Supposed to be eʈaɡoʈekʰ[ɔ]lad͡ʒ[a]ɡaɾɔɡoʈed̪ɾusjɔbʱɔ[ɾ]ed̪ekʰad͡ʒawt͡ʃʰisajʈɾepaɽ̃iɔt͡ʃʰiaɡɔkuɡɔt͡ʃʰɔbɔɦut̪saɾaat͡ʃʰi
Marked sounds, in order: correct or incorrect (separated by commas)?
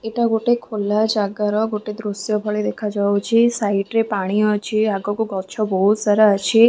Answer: incorrect, correct, incorrect